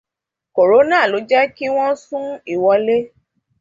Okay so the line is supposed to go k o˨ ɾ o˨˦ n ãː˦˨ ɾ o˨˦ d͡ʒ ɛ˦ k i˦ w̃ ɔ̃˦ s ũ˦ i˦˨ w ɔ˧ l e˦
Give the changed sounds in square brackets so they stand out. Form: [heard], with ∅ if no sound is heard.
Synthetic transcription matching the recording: k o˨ ɾ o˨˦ n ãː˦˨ [l] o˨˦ d͡ʒ ɛ˦ k i˦ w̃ ɔ̃˦ s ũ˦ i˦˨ w ɔ˧ l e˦